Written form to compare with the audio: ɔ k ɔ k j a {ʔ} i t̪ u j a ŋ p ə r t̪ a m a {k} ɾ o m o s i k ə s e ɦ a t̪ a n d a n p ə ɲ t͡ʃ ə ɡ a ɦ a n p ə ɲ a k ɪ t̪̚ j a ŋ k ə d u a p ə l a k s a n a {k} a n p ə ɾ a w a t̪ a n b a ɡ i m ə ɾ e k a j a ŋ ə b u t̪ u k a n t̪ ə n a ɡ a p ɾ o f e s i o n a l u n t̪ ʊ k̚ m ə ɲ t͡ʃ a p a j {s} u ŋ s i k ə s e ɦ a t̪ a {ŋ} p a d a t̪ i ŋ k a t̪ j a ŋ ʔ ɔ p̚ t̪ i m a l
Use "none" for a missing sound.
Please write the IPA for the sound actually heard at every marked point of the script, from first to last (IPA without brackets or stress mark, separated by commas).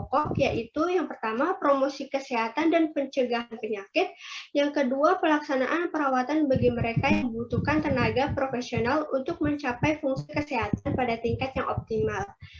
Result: ʔ, p, ʔ, f, n